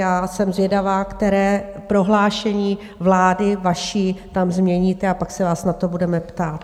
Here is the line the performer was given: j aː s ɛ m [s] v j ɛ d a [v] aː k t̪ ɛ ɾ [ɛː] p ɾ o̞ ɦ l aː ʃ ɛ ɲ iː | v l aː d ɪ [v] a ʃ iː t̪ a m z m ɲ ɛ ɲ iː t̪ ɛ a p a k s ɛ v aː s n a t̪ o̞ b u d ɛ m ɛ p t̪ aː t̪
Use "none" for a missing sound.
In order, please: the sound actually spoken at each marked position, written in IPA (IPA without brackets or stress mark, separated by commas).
z, v, ɛː, v